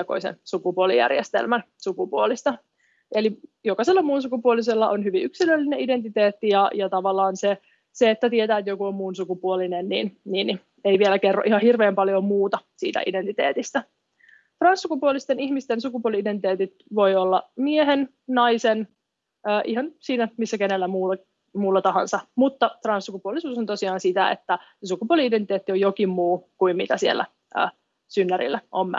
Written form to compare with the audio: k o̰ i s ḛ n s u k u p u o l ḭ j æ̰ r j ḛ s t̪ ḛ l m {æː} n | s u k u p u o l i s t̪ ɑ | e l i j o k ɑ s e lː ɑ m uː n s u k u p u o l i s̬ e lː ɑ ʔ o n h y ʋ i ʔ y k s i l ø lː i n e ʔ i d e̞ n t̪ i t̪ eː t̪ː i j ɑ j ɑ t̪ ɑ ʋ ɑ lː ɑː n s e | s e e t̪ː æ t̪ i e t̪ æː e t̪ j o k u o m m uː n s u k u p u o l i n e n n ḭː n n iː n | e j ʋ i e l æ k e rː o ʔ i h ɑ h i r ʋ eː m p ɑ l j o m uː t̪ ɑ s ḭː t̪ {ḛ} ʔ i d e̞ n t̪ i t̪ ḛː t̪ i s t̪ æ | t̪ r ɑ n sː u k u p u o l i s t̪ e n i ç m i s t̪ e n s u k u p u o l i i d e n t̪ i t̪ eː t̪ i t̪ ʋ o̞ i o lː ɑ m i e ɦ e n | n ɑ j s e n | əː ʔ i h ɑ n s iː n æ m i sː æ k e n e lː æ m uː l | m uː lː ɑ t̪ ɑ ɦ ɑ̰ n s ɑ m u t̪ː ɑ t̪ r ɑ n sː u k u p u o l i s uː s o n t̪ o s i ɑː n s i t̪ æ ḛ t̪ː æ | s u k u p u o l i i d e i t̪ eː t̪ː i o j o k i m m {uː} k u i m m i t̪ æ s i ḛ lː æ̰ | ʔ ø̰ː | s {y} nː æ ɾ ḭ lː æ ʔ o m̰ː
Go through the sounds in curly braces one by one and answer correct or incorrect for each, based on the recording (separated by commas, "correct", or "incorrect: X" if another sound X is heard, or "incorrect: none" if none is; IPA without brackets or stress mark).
incorrect: æ, incorrect: æ̰, correct, correct